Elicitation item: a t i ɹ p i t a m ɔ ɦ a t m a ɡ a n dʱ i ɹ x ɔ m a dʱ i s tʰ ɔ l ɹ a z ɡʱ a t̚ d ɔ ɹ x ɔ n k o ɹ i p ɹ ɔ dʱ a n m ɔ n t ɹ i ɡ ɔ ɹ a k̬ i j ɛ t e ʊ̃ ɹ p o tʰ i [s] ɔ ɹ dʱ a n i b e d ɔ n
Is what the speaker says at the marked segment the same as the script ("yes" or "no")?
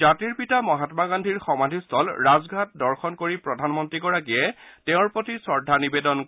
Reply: yes